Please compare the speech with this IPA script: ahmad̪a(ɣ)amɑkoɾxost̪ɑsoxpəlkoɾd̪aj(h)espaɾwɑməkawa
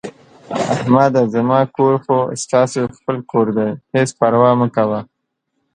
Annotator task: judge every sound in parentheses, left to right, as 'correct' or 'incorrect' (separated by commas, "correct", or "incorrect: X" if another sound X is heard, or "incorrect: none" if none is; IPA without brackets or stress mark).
incorrect: z, correct